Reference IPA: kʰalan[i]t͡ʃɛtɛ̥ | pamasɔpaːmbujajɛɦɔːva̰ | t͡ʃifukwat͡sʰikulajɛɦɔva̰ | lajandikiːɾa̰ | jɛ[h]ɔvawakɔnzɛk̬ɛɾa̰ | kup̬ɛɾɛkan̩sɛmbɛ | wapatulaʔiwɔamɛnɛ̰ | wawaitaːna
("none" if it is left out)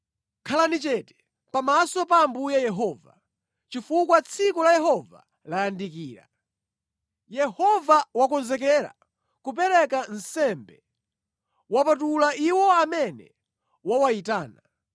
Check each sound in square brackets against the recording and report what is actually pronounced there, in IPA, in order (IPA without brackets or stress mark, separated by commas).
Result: i, h